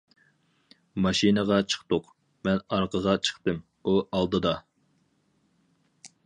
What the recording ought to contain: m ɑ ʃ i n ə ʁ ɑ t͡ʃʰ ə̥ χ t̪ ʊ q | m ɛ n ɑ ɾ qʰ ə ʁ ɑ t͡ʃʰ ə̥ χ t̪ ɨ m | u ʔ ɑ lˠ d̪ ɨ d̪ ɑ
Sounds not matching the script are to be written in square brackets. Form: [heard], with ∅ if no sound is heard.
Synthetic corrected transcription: m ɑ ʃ i n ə ʁ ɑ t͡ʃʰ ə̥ χ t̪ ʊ q | m ɛ n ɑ ɾ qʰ ə ʁ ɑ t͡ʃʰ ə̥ χ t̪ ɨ m | u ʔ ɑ lˠ d̪ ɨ d̪ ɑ